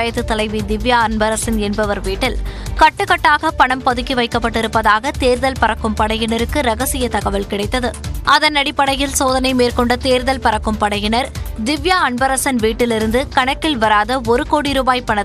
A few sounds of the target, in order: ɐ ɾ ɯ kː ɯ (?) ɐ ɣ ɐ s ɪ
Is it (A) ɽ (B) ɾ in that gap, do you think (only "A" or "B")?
B